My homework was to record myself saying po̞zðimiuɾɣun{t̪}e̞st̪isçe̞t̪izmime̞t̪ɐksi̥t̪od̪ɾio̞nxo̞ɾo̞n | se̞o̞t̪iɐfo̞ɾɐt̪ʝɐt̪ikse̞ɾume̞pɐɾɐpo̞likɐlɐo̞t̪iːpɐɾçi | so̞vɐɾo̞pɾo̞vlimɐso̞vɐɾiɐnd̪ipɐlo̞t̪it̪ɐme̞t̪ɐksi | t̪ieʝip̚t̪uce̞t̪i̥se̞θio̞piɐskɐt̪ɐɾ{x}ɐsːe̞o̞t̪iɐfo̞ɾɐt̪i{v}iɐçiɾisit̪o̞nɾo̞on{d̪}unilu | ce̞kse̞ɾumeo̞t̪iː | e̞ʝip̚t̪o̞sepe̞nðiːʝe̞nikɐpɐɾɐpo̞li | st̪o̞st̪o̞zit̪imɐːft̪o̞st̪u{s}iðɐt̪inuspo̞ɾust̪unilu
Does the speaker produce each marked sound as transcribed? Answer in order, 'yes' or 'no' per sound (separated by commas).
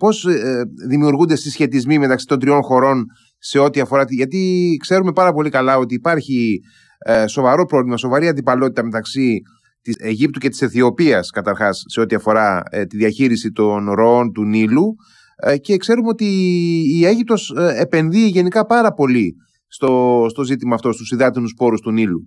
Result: no, yes, no, no, yes